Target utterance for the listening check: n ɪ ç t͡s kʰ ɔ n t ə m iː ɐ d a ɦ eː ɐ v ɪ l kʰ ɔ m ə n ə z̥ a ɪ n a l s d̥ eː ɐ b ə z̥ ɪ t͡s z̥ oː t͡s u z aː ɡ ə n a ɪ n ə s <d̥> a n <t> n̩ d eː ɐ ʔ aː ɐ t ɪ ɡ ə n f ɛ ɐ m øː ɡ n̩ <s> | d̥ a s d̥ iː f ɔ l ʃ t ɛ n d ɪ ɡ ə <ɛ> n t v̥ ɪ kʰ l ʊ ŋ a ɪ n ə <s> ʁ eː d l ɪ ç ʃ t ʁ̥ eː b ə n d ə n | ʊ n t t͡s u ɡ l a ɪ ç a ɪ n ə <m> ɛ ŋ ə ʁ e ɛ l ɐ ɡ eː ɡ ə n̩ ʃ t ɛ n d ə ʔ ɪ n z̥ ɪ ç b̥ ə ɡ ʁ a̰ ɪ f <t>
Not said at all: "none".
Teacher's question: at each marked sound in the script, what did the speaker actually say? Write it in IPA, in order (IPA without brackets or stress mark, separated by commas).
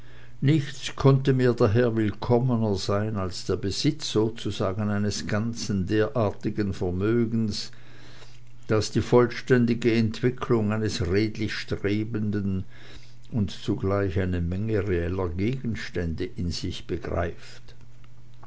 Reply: ɡ̥, t͡s, s, ɛ, s, m, t